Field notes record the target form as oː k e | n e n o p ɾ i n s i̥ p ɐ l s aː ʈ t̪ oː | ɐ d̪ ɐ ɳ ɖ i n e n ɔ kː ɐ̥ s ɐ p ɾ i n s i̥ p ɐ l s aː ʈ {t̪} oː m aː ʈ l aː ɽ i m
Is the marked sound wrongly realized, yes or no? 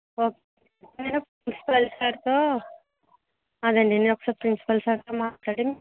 no